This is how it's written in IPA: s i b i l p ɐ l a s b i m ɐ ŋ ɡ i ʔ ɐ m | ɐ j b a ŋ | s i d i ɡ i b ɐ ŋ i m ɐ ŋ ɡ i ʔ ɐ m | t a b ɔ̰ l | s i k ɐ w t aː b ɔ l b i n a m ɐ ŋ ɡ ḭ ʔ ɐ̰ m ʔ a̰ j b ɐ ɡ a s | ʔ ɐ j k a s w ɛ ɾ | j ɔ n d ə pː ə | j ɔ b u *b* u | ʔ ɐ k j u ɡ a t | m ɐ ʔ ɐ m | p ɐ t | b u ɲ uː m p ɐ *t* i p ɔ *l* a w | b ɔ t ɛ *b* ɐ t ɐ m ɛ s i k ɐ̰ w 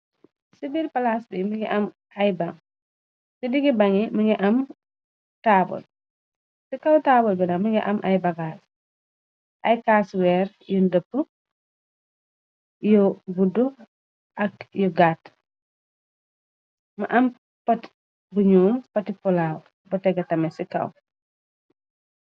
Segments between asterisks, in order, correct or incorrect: incorrect: d, correct, correct, incorrect: ɡ

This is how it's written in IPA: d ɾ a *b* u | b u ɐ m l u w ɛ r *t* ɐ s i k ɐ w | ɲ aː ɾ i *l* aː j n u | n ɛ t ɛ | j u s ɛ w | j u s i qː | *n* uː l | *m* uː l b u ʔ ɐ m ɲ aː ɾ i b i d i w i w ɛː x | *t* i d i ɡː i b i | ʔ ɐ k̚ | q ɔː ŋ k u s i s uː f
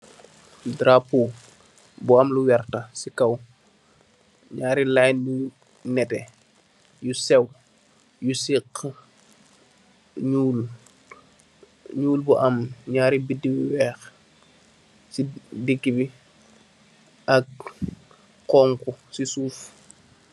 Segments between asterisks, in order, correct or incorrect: incorrect: p, correct, correct, incorrect: ɲ, incorrect: ɲ, incorrect: s

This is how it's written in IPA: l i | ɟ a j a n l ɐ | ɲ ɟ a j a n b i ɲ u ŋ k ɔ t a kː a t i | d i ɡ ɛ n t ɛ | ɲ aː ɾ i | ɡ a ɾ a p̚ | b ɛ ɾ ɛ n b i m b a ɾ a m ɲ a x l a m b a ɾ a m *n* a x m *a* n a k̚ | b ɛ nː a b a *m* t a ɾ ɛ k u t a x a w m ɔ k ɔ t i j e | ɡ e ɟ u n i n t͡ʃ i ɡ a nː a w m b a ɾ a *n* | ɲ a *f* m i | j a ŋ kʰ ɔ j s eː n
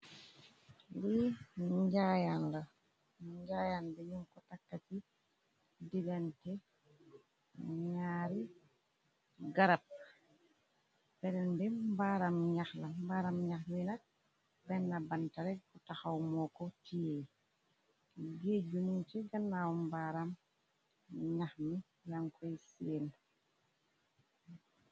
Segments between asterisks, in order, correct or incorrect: incorrect: ɲ, incorrect: i, incorrect: n, incorrect: m, incorrect: x

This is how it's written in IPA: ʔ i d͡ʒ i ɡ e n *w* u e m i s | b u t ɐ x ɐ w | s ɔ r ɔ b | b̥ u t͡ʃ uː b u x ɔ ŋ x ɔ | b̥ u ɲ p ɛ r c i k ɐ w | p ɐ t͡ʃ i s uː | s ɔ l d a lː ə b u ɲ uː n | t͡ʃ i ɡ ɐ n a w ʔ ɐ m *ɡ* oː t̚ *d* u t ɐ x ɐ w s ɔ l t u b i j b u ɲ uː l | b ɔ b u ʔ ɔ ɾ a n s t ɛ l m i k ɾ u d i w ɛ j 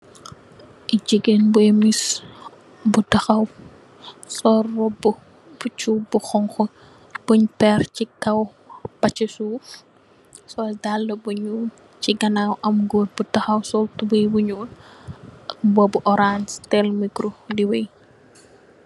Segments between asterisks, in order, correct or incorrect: incorrect: b, correct, incorrect: b

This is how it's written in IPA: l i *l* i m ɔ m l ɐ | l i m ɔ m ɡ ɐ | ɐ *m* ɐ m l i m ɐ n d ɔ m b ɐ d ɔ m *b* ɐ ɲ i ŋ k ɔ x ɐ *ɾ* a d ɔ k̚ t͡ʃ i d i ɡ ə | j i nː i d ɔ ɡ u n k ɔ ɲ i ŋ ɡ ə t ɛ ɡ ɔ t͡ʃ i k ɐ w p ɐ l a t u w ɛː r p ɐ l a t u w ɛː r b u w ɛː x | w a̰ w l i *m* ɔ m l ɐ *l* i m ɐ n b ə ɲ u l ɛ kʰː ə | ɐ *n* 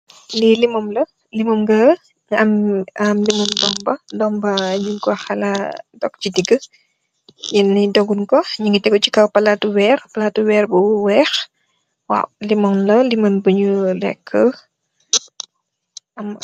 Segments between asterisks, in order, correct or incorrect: correct, correct, correct, incorrect: l, correct, correct, incorrect: m

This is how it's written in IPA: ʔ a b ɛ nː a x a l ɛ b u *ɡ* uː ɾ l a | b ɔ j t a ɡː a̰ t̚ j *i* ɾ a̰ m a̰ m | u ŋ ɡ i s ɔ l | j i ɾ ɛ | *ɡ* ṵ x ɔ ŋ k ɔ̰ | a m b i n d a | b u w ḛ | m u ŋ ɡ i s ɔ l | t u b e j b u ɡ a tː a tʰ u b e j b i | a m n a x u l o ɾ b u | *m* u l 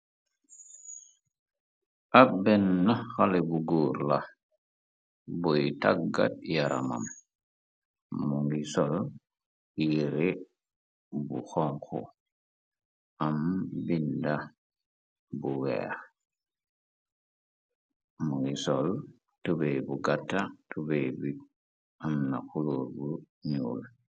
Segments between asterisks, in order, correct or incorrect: correct, incorrect: a, incorrect: b, incorrect: ɲ

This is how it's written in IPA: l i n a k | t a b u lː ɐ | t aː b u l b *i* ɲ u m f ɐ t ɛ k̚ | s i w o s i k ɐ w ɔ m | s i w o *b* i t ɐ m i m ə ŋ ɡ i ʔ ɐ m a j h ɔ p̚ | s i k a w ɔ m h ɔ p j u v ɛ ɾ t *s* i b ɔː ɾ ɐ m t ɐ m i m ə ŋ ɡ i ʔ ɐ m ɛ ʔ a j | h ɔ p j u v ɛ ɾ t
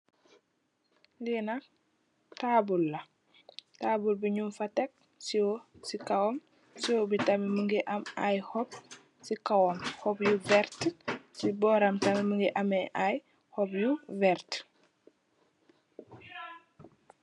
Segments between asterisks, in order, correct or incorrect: correct, correct, correct

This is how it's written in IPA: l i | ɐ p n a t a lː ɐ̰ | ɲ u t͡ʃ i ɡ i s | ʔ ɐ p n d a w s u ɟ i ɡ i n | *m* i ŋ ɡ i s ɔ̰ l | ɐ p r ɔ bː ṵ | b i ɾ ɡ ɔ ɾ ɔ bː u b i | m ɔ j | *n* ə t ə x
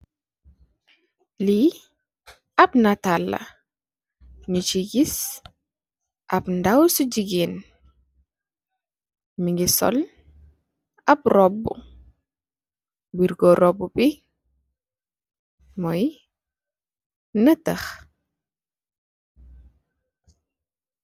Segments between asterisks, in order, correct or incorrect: correct, correct

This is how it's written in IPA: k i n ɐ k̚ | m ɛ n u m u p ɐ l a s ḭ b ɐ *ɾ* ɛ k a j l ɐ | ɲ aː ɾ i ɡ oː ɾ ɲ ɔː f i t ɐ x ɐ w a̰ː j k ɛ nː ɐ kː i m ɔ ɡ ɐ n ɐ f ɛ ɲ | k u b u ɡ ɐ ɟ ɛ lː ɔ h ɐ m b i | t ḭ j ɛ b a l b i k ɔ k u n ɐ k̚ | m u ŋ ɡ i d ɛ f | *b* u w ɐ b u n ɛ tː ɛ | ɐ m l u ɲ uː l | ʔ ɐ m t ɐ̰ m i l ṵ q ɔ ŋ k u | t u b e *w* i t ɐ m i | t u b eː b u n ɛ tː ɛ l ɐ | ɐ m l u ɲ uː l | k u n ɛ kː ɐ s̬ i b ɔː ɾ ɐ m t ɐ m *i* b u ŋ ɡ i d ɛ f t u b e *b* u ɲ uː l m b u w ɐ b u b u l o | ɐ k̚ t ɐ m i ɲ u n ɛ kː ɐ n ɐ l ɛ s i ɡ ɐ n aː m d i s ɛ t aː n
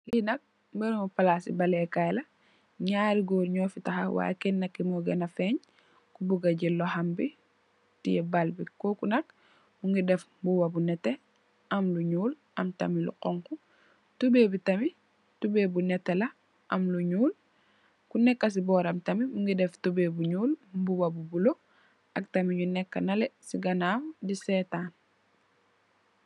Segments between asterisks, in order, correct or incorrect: incorrect: l, correct, incorrect: b, correct, correct

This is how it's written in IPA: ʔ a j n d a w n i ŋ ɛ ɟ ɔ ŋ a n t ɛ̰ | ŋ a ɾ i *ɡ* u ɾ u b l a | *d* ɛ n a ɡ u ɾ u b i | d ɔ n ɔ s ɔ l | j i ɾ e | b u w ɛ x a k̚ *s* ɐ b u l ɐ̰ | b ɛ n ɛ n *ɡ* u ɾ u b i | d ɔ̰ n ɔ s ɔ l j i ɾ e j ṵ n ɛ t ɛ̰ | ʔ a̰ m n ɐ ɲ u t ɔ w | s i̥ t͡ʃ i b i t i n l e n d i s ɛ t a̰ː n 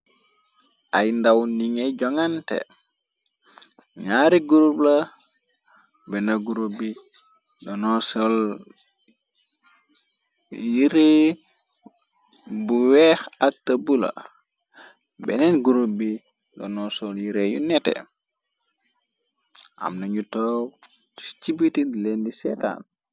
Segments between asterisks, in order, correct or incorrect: correct, incorrect: b, incorrect: t, correct

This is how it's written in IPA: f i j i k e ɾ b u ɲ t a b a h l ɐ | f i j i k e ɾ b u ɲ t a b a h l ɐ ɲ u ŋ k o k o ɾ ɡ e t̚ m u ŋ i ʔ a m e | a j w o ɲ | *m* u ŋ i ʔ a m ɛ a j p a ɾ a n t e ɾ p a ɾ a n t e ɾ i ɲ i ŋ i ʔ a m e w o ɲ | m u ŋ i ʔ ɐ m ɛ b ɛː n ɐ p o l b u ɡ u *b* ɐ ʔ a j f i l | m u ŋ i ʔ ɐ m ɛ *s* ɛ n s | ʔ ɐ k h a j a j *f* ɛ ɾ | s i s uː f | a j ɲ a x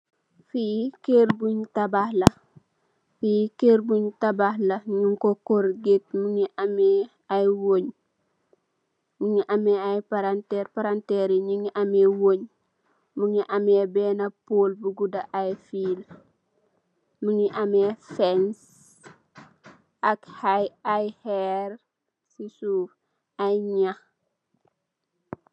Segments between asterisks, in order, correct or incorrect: correct, incorrect: d, incorrect: f, incorrect: h

